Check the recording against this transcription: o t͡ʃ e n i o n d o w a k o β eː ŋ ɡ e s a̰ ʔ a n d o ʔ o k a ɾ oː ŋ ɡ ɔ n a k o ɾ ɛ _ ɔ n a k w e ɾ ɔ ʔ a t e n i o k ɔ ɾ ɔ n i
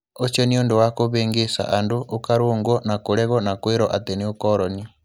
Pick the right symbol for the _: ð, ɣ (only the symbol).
ɣ